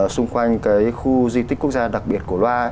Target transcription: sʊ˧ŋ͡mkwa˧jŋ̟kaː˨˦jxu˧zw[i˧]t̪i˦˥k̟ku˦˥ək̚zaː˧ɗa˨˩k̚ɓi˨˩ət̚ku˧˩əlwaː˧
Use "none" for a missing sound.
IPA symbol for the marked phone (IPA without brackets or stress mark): i˧